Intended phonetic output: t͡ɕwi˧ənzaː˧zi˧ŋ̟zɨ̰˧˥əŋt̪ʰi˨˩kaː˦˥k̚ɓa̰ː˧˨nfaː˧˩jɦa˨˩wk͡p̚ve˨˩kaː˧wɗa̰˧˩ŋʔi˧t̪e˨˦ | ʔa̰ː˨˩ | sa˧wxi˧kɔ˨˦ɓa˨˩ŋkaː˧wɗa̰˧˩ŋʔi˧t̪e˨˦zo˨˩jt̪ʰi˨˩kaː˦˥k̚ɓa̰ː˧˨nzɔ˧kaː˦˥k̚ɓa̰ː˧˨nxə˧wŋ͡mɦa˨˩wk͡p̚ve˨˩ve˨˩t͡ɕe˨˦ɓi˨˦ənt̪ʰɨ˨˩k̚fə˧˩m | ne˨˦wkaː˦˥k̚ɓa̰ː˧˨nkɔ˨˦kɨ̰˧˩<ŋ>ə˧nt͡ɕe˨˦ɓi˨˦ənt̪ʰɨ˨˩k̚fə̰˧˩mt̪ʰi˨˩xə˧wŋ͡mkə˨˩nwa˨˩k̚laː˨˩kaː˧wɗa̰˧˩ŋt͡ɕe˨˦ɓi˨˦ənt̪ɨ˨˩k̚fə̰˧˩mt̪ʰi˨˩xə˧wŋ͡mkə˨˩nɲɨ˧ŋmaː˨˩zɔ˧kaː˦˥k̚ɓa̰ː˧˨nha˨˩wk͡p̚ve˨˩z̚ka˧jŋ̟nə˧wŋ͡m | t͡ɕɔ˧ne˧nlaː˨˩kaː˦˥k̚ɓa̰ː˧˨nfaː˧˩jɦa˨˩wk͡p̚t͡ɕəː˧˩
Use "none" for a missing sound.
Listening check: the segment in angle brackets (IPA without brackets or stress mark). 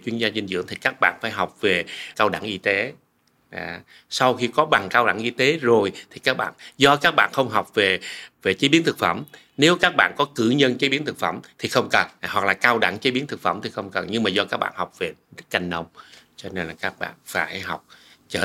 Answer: ɲ